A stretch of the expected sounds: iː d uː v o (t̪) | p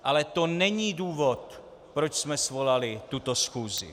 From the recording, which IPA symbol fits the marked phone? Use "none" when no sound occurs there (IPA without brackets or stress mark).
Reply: t̪